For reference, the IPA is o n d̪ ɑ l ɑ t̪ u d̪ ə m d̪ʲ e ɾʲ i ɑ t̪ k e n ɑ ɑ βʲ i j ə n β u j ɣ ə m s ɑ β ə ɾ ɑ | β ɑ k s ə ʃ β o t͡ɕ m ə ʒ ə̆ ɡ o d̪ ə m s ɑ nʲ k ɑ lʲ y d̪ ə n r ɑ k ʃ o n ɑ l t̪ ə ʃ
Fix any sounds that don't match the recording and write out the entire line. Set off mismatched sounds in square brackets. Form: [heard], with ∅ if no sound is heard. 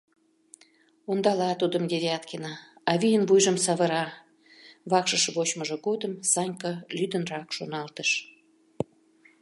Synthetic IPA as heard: o n d̪ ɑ l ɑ t̪ u d̪ ə m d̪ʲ e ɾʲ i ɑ t̪ k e n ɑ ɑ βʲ i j ə n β u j [ʒ] ə m s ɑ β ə ɾ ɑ | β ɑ k [ʃ] ə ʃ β o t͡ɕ m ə ʒ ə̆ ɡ o d̪ ə m s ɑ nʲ k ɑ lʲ y d̪ ə n r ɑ k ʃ o n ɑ l t̪ ə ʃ